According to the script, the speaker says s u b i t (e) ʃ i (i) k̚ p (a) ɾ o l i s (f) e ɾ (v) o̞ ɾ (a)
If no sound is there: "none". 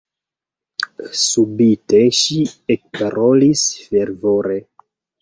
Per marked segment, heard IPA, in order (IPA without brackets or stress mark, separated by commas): e, e, a, f, v, e